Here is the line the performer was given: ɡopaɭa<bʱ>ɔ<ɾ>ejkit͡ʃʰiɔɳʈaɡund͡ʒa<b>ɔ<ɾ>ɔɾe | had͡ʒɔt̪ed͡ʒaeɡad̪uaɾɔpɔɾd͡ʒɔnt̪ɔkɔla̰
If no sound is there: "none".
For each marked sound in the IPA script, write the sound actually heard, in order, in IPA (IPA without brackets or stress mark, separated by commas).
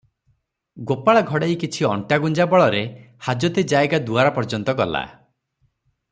ɡʱ, ɽ, b, ɭ